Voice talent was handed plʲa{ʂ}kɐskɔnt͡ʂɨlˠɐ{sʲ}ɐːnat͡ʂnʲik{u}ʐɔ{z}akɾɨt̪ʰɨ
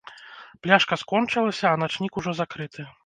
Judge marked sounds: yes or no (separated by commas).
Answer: yes, yes, yes, yes